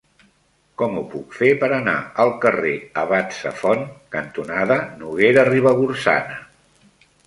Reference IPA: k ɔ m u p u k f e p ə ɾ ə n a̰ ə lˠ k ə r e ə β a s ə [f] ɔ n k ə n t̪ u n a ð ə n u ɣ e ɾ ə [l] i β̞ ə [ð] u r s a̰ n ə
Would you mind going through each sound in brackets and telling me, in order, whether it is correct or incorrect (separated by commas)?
correct, incorrect, incorrect